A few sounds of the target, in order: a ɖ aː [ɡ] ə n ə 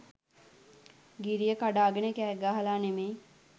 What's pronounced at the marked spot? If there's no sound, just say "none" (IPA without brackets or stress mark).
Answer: ɡ